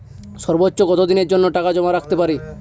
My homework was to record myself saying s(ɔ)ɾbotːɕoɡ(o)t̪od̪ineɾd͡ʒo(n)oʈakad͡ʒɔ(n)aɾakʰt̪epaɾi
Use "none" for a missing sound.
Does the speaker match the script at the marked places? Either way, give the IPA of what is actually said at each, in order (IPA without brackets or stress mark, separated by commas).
ɔ, ɔ, nː, m